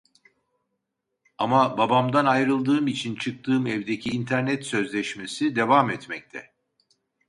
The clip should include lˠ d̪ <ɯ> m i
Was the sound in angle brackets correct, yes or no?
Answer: no